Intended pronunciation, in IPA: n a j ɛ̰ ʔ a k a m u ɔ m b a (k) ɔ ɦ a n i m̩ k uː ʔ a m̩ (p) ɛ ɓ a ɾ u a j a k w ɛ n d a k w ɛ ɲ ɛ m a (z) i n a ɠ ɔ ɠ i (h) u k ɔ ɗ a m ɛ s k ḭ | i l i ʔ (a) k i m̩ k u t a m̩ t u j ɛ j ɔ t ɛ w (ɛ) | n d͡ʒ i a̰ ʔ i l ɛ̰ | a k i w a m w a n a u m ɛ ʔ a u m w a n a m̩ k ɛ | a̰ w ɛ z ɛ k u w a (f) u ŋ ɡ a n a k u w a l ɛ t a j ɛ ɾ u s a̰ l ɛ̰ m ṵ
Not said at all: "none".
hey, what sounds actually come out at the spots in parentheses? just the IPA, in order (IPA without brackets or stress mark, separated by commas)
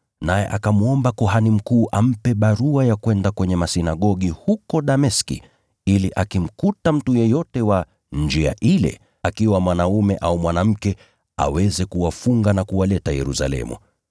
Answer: k, p, s, h, a, a, f